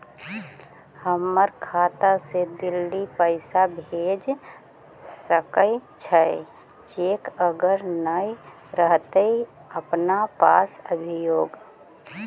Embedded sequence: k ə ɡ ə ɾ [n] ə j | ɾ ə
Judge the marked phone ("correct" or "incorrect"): correct